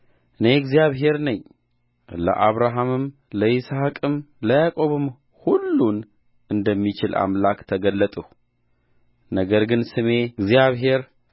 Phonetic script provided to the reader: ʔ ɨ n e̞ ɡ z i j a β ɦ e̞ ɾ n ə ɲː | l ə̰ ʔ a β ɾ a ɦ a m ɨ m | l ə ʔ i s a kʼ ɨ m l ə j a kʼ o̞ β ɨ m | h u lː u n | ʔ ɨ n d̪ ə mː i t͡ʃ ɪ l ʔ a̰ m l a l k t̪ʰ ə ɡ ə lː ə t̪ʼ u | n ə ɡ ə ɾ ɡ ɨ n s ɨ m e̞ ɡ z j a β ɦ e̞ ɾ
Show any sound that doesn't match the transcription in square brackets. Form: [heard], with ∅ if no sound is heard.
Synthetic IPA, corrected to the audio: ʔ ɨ n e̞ ɡ z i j a β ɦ e̞ ɾ n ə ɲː | l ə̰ ʔ a β ɾ a ɦ a m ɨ m | l ə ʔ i s a kʼ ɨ m l ə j a kʼ o̞ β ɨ m | h u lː u n | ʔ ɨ n d̪ ə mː i t͡ʃ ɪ l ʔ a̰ m l a [∅] k t̪ʰ ə ɡ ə lː ə t̪ʼ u | n ə ɡ ə ɾ ɡ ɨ n s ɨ m e̞ ɡ z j a β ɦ e̞ ɾ